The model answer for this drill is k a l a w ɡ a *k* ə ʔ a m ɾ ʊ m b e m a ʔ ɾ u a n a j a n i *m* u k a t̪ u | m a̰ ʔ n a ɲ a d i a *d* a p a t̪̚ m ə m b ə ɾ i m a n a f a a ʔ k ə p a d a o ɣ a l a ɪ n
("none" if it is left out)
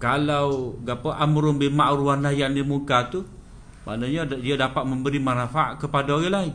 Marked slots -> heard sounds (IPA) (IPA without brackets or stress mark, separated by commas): p, m, d